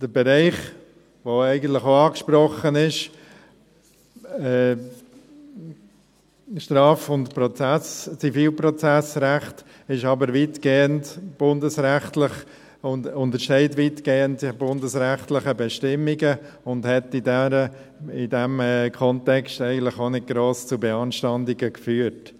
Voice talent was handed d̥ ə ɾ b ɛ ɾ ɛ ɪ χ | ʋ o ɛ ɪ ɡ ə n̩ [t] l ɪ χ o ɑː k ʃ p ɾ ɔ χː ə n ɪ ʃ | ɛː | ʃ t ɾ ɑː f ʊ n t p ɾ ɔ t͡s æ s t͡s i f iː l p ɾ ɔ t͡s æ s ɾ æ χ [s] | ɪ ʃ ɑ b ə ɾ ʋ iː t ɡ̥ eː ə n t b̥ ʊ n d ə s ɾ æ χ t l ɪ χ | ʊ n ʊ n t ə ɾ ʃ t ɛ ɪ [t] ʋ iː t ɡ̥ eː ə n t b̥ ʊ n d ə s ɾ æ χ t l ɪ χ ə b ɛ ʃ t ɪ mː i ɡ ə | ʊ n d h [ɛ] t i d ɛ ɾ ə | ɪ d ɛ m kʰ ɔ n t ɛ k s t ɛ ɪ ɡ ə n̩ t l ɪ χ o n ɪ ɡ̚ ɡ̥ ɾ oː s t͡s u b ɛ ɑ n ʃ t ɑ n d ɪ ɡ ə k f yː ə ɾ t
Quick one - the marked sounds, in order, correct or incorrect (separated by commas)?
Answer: correct, incorrect, correct, correct